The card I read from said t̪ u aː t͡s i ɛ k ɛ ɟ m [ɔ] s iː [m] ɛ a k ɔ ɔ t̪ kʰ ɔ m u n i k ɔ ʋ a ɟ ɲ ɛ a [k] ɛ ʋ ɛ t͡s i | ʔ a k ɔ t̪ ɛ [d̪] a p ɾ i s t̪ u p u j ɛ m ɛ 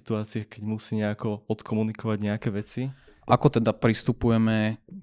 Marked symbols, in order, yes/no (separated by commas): no, no, yes, yes